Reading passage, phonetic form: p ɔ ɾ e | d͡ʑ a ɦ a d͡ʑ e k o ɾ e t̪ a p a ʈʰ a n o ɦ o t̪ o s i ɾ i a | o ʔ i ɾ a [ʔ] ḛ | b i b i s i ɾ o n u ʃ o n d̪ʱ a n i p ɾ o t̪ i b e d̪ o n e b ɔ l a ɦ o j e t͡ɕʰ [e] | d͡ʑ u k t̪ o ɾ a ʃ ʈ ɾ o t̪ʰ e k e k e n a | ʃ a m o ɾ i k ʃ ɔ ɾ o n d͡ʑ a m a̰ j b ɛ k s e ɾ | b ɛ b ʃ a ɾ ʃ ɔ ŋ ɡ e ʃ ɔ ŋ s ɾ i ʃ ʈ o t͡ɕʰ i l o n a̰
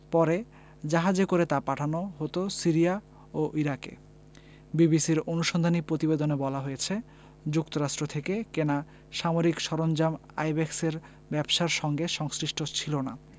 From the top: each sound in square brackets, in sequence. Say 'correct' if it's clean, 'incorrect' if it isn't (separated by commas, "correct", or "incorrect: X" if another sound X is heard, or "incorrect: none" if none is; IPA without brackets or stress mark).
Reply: incorrect: k, correct